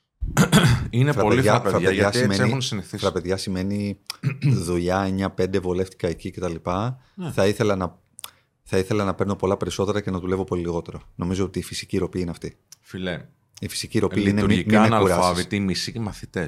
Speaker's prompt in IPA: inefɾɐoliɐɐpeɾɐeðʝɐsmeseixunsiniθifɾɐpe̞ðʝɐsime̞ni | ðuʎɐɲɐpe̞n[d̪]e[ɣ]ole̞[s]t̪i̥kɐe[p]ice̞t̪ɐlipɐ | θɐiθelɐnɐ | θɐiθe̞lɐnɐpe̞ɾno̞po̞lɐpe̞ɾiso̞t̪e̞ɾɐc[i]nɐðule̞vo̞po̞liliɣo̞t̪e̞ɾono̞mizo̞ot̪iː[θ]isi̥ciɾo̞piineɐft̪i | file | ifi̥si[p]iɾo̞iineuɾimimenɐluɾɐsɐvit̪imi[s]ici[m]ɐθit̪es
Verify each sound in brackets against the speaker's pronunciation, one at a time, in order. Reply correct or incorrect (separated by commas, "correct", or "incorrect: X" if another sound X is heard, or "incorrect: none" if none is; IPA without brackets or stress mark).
correct, incorrect: v, incorrect: f, incorrect: c, incorrect: e, incorrect: f, incorrect: c, correct, correct